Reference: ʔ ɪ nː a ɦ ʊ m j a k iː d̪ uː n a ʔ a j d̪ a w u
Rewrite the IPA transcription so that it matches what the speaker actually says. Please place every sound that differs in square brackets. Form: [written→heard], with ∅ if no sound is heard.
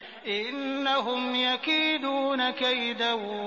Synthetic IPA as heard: ʔ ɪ nː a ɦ ʊ m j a k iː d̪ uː n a [ʔ→k] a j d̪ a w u